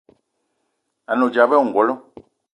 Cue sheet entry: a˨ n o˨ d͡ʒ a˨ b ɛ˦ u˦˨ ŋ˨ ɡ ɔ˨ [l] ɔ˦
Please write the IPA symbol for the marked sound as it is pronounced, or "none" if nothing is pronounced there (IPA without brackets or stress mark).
l